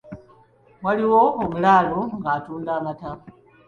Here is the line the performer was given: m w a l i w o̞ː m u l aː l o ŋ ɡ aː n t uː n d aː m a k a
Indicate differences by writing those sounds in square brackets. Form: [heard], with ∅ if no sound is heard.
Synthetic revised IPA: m w a l i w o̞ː m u l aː l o ŋ ɡ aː [∅] t uː n d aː m a [t] a